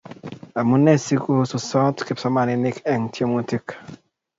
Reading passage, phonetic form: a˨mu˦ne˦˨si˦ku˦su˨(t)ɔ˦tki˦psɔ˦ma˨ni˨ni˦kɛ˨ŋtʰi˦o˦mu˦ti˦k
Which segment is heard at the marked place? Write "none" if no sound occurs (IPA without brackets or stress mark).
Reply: s